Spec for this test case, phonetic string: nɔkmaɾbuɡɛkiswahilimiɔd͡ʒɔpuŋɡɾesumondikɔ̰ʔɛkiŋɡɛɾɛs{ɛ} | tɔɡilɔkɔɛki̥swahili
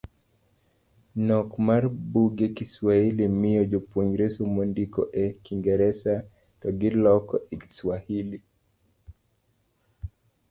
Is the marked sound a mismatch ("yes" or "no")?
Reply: yes